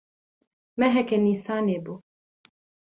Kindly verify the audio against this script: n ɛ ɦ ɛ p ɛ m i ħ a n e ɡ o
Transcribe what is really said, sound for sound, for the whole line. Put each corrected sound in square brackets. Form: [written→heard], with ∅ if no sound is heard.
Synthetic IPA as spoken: [n→m] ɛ ɦ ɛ [p→k] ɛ [m→n] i [ħ→s] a n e [ɡ→b] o